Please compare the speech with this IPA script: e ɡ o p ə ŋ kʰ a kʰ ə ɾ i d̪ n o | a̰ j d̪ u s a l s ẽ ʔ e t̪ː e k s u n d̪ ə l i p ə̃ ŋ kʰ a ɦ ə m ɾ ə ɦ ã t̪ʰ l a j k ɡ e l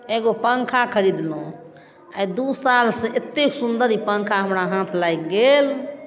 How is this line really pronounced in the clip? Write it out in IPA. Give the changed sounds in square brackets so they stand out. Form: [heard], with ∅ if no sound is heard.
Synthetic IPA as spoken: e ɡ o p ə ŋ kʰ a kʰ ə ɾ i d̪ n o | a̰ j d̪ u s a l s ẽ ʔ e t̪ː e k s u n d̪ ə [ɾ] i p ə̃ ŋ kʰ a ɦ ə m ɾ [a] ɦ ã t̪ʰ l a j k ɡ e l